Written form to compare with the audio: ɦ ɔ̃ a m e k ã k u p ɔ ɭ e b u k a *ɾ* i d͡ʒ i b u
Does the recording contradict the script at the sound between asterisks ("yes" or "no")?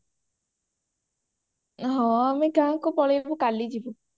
yes